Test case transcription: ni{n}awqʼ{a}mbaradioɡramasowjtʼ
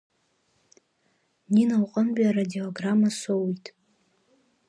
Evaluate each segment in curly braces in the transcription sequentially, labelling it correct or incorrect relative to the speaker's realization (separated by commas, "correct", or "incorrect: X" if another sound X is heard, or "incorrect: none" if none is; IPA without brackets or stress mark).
correct, incorrect: ə